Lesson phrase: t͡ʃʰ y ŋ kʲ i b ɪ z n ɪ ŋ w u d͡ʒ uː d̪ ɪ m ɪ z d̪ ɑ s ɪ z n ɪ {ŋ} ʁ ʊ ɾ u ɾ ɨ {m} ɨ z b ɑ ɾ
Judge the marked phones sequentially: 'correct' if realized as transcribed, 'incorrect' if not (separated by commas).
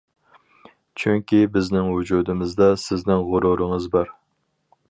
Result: correct, incorrect